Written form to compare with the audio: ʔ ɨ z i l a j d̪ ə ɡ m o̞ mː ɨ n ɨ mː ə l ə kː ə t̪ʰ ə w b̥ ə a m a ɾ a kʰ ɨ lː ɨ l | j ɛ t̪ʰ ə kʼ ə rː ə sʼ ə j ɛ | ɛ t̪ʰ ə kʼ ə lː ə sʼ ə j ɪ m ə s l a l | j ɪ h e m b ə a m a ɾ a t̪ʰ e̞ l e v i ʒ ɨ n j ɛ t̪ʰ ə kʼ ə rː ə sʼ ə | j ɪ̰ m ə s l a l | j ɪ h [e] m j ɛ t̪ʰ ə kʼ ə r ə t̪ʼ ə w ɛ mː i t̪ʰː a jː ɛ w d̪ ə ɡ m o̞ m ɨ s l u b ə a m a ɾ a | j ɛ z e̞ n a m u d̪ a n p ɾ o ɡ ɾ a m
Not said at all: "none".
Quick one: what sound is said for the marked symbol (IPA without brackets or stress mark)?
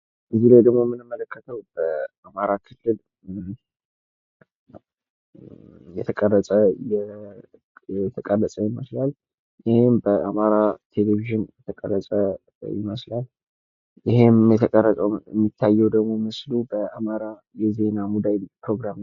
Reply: e